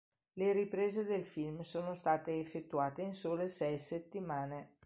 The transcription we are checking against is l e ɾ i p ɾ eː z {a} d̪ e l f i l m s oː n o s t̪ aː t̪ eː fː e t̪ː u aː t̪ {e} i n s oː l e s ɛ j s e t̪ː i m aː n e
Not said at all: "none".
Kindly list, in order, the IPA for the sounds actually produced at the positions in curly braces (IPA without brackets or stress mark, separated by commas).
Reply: e, e